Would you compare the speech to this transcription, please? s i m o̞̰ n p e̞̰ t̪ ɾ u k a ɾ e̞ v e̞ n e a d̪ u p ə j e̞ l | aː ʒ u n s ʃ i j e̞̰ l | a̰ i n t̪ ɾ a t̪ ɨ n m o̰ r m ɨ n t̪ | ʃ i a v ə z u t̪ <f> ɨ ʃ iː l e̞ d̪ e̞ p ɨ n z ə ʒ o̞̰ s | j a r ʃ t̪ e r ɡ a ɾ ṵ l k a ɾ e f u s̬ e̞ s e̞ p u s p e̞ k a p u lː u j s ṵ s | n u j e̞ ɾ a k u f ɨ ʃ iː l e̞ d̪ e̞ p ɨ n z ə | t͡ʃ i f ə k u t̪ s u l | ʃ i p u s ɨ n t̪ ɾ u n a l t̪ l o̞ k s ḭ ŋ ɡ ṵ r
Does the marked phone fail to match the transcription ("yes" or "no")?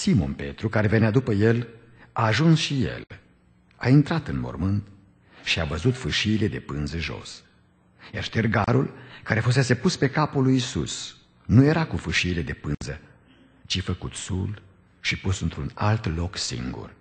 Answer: no